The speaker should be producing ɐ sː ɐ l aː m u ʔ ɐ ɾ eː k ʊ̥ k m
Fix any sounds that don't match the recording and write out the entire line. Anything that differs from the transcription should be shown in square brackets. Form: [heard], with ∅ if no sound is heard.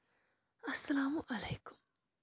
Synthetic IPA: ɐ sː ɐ l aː m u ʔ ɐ [l] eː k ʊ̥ [∅] m